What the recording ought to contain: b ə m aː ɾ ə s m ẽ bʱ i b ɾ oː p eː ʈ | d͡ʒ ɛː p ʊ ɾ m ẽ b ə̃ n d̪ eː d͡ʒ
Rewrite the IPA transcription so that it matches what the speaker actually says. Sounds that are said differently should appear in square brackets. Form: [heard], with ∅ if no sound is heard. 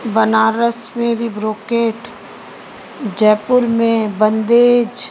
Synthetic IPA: b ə [n] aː ɾ ə s m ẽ bʱ i b ɾ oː [k] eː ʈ | d͡ʒ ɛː p ʊ ɾ m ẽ b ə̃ n d̪ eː d͡ʒ